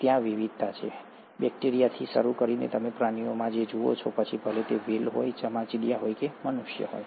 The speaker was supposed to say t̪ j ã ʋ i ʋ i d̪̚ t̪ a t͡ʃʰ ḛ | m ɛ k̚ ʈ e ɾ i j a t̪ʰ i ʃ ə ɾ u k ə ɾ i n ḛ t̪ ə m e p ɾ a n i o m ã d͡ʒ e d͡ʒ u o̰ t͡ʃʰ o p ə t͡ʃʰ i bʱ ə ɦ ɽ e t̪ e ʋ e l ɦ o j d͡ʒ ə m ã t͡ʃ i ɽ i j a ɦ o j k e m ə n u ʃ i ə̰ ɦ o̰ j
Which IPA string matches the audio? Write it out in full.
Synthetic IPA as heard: t̪ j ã ʋ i ʋ i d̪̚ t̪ a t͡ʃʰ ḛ | b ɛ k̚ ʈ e ɾ i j a t̪ʰ i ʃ ə ɾ u k ə ɾ i n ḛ t̪ ə m e p ɾ a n i o m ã d͡ʒ e d͡ʒ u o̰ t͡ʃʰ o p ə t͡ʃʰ i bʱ ə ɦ l e t̪ e ʋ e l ɦ o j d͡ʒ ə m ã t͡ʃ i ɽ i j a ɦ o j k e m ə n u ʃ j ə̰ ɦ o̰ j